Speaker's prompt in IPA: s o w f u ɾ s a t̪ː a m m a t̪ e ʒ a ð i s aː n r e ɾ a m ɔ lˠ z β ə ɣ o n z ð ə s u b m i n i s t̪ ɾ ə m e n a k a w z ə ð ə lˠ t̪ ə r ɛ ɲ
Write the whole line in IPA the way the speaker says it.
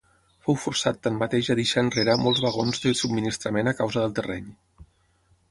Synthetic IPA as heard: f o w f u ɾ s a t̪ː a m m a t̪ e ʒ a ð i ʃ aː n r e ɾ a m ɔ lˠ z β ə ɣ o n z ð ə s u b m i n i s t̪ ɾ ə m e n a k a w z ə ð ə lˠ t̪ ə r ɛ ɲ